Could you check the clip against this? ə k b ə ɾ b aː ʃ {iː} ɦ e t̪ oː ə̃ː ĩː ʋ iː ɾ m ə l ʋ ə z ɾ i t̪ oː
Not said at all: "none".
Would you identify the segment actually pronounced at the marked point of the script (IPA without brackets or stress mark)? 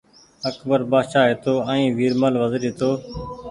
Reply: aː